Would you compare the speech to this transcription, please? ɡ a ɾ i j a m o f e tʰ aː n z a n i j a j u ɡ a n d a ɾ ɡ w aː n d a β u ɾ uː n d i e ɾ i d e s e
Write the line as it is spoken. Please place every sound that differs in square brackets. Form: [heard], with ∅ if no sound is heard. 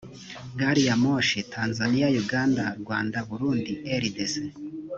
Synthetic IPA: ɡ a ɾ i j a m o [ʃ] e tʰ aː n z a n i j a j u ɡ a n d a ɾ ɡ w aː n d a β u ɾ uː n d i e ɾ i d e s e